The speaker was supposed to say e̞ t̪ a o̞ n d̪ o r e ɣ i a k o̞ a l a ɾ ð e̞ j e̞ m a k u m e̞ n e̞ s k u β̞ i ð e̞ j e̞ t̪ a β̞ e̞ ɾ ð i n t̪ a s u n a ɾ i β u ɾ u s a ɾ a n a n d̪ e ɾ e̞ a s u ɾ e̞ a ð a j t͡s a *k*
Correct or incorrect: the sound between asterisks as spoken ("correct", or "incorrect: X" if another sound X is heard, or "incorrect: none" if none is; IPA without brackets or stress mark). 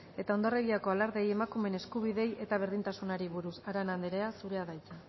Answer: incorrect: none